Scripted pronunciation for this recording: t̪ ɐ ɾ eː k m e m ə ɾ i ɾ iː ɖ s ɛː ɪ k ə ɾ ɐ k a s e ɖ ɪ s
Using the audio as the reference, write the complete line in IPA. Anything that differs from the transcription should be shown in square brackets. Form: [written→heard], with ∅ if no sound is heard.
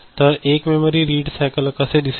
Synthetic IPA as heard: t̪ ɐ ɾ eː k m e m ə ɾ i ɾ iː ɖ s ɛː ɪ k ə [ɾ→l] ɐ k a s e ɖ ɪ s